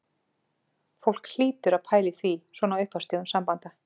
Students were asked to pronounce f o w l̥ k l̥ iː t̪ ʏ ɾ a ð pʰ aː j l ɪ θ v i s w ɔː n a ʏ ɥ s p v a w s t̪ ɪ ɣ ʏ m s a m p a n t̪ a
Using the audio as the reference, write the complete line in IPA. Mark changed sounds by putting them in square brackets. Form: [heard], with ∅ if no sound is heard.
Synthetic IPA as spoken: f o w l̥ k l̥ iː t̪ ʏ ɾ a ð pʰ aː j l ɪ θ v i s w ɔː n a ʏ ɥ [h] p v a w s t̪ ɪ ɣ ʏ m s a m p a n t̪ a